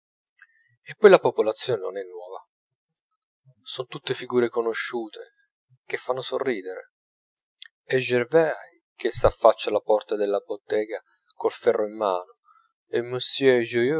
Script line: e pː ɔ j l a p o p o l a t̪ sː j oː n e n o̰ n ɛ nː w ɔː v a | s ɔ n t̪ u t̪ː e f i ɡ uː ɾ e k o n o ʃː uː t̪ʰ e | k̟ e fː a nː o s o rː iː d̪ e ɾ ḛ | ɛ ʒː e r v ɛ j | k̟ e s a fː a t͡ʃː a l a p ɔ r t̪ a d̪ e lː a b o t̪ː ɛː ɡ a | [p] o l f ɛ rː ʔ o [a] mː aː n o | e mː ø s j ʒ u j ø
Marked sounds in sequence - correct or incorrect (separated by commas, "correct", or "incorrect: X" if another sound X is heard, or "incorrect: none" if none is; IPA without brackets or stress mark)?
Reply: incorrect: k, incorrect: i